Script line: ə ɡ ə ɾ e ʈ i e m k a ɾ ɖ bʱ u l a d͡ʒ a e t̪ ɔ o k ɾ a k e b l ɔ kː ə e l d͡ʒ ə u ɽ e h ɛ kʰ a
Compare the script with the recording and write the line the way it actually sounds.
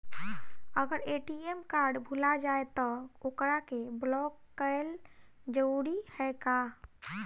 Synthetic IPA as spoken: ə ɡ ə ɾ e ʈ i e m k a ɾ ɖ bʱ u l a d͡ʒ a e t̪ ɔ o k ɾ a k e b l ɔ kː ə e l d͡ʒ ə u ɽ i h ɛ k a